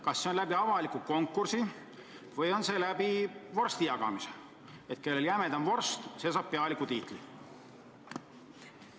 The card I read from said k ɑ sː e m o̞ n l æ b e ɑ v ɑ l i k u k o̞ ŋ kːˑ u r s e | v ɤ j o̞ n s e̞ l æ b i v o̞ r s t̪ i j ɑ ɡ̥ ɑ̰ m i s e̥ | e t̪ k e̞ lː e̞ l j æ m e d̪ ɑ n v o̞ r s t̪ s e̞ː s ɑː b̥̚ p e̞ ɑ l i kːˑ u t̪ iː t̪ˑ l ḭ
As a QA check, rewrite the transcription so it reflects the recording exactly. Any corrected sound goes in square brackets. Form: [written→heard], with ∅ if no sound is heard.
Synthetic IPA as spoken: k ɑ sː e [m→∅] o̞ n l æ b [e→i] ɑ v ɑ l i k u k o̞ ŋ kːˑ u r s [e→i] | v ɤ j o̞ n s e̞ l æ b i v o̞ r s t̪ i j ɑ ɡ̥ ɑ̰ m i s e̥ | e t̪ k e̞ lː e̞ l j æ m e d̪ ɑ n v o̞ r s t̪ s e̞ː s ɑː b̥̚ p e̞ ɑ l i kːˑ u t̪ iː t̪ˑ l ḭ